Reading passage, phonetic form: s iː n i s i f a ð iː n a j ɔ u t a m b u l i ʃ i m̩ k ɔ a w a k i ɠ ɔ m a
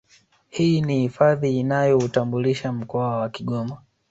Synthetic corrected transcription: h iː n i h i f a ð iː n a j ɔ u t a m b u l i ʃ a m̩ k ɔ a w a k i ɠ ɔ m a